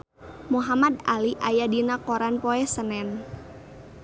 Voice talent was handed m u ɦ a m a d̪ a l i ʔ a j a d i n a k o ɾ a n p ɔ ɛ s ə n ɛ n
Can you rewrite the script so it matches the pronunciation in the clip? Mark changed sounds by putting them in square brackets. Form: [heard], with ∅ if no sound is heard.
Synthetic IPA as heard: m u ɦ a m a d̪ a l i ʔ a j a d i n a k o ɾ a n p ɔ ɛ s ə n ɛ n